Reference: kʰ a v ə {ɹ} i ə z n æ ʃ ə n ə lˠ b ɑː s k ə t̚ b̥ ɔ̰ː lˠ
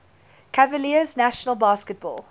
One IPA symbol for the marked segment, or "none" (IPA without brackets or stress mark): l